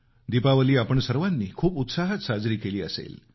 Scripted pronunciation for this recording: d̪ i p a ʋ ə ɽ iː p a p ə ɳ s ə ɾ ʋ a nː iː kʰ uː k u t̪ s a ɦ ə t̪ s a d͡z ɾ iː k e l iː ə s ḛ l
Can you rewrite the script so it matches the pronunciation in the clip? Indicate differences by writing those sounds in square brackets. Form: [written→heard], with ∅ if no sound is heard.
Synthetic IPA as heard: d̪ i p a ʋ ə [ɽ→l] iː [p→∅] a p ə ɳ s ə ɾ ʋ a nː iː kʰ uː [k→p] u t̪ s a ɦ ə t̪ s a d͡z ɾ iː k e l iː ə s ḛ l